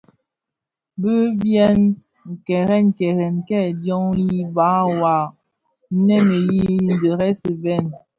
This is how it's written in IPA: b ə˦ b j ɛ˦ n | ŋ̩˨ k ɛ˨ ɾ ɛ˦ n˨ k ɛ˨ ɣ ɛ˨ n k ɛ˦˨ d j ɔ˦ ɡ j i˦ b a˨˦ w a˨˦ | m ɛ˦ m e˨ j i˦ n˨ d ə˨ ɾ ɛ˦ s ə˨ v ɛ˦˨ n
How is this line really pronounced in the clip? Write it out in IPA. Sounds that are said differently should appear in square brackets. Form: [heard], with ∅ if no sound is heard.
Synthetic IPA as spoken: b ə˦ b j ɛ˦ n | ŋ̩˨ k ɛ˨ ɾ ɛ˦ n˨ k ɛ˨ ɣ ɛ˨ n k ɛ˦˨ d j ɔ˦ [ŋ] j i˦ b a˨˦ w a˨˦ | [n] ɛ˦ m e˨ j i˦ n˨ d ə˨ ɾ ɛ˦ s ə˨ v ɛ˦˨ n

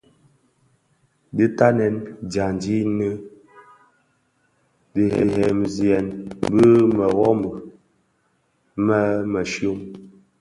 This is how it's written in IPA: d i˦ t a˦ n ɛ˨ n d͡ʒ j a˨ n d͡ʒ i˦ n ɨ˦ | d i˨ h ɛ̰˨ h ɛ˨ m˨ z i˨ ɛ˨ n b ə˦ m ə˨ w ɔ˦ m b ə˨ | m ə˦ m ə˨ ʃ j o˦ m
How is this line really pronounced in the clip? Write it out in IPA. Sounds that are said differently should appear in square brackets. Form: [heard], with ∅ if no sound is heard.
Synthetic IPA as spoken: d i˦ t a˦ n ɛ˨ n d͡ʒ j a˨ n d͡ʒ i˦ n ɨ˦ | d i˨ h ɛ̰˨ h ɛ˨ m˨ z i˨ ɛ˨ n b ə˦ m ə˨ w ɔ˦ m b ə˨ | m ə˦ m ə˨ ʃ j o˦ m

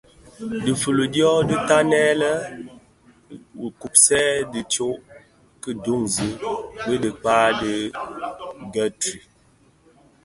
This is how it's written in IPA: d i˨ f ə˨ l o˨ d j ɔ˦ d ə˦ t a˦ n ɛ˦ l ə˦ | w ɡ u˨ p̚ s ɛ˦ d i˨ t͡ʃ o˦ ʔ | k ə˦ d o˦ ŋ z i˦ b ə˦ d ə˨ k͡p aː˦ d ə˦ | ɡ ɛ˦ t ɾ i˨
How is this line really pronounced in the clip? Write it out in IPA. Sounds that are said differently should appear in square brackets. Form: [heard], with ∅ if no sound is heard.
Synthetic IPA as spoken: d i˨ f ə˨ l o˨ d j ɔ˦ d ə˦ t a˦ n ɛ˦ l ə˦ | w [k] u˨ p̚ s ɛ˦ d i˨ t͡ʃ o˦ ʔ | k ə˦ d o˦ ŋ z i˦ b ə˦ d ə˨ k͡p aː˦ d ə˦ | ɡ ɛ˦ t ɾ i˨

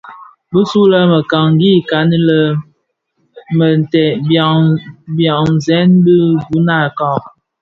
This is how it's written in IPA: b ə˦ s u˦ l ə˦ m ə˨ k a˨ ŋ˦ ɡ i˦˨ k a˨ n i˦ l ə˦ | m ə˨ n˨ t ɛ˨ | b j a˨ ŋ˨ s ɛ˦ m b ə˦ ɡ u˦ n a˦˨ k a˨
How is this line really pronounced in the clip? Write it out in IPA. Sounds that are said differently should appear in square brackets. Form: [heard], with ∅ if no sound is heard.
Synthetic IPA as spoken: b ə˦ s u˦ l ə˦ m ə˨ k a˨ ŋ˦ ɡ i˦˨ k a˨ n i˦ l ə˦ | m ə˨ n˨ t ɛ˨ | b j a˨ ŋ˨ [z] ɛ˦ [n] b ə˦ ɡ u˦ n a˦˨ k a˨

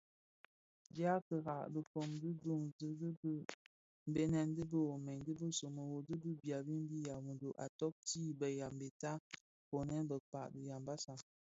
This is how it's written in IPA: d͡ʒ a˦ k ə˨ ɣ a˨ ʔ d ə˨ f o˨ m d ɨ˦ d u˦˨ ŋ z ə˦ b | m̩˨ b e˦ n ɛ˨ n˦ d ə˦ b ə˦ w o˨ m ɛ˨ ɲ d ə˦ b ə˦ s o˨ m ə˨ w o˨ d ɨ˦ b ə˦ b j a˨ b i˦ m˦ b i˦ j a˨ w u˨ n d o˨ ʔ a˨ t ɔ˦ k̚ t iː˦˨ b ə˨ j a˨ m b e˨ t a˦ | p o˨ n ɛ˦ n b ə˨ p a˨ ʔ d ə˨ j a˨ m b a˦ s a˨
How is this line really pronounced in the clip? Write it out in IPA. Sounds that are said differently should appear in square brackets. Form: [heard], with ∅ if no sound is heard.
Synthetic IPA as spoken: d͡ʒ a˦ k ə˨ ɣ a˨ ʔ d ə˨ f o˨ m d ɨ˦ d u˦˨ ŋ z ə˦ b | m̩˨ b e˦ n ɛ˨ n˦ d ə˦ b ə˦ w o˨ m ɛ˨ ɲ d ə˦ b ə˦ s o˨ m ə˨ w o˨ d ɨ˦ b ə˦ b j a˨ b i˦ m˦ b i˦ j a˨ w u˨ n d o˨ ʔ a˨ t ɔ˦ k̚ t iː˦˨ b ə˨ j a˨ m b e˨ t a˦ | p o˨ n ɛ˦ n b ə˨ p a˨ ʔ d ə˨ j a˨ m b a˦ s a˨

